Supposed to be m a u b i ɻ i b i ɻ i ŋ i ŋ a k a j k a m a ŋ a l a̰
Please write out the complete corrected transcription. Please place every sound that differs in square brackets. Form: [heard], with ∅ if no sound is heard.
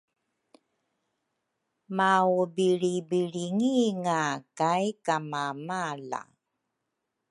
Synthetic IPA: m a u b i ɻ i b i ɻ i ŋ i ŋ a k a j k a m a [m] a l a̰